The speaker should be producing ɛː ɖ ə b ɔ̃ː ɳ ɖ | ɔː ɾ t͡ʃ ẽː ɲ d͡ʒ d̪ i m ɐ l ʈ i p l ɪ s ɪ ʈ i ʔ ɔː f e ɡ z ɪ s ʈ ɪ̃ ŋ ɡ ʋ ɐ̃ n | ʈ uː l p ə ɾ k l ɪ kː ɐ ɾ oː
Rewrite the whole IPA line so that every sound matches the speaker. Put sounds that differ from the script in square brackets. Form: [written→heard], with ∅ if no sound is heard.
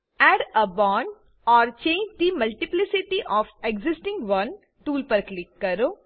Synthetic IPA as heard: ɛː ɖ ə b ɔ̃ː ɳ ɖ | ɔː ɾ t͡ʃ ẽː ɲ d͡ʒ d̪ i m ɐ l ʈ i p l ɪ s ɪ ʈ i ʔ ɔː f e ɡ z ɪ s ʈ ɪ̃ ŋ ɡ ʋ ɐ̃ n | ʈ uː l p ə ɾ k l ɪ kː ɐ ɾ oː